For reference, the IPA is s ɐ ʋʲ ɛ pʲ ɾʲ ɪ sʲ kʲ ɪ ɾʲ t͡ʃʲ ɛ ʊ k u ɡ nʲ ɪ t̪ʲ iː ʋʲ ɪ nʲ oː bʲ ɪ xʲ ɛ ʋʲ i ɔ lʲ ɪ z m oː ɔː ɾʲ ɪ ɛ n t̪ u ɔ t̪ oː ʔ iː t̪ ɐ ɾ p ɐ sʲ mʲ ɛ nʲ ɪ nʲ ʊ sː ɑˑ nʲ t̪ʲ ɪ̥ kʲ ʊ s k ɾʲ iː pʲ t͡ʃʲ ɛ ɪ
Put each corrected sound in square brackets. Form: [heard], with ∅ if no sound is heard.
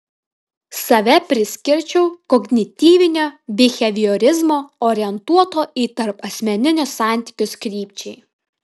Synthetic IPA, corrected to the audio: s ɐ ʋʲ ɛ pʲ ɾʲ ɪ sʲ kʲ ɪ ɾʲ t͡ʃʲ ɛ ʊ k [ɔ] ɡ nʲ ɪ t̪ʲ iː ʋʲ ɪ nʲ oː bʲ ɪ xʲ ɛ ʋʲ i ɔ [ɾʲ] ɪ z m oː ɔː ɾʲ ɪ ɛ n t̪ u ɔ t̪ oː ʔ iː t̪ ɐ ɾ p ɐ sʲ mʲ ɛ nʲ ɪ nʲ ʊ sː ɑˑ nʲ t̪ʲ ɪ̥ kʲ ʊ s k ɾʲ iː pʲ t͡ʃʲ ɛ ɪ